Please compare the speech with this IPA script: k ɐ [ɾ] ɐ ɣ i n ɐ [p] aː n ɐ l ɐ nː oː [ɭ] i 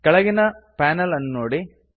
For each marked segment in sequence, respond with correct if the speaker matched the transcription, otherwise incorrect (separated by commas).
incorrect, correct, incorrect